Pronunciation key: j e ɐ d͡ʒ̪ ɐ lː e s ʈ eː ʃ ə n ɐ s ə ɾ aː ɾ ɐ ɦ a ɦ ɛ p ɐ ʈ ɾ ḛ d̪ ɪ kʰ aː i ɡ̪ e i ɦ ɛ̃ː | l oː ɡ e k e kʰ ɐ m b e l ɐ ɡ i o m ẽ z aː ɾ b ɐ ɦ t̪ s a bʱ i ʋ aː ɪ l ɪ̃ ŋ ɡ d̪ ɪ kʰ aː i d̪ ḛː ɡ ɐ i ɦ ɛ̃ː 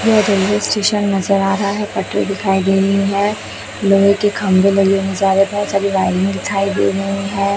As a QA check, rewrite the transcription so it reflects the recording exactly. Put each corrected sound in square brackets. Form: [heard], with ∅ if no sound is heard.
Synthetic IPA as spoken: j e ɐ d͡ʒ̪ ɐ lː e s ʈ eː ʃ ə [nː] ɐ [z] ə ɾ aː ɾ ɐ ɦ a ɦ ɛ p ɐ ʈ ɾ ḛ d̪ ɪ kʰ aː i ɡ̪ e i ɦ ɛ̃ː | l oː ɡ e k e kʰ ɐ m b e l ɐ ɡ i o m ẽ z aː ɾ b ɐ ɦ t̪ s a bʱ i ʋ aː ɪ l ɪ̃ ŋ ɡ d̪ ɪ kʰ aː i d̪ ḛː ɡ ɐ i ɦ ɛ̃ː